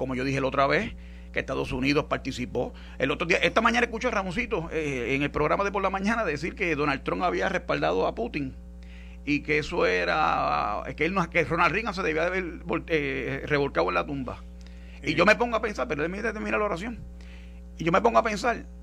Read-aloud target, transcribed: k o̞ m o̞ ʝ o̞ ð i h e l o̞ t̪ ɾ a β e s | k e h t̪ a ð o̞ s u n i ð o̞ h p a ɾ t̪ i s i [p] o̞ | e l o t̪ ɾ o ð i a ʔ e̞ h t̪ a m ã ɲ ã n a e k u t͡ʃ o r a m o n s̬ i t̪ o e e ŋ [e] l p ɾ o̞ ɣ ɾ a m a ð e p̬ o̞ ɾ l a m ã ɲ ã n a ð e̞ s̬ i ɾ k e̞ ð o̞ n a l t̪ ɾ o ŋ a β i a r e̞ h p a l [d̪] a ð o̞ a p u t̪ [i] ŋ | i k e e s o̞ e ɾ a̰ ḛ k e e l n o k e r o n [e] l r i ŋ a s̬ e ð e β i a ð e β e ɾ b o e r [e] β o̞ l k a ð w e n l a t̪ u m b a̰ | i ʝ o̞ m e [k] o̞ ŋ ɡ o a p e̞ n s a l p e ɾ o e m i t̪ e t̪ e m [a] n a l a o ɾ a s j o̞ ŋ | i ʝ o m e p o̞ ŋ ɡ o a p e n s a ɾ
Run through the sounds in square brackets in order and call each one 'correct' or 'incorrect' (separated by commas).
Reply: correct, correct, correct, correct, incorrect, correct, incorrect, incorrect